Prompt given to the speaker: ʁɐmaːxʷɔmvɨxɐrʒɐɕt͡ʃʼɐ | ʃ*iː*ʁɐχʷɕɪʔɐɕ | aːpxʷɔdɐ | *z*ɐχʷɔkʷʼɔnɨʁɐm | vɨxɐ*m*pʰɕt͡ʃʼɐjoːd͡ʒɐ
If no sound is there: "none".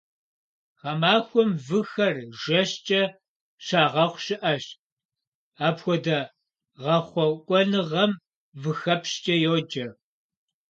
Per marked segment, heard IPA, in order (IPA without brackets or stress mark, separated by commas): aː, ʁ, none